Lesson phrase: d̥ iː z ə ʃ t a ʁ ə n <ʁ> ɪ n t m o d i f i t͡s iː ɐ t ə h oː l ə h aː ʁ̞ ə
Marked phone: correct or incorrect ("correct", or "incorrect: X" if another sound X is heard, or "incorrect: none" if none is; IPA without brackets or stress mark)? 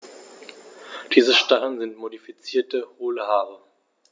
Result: incorrect: z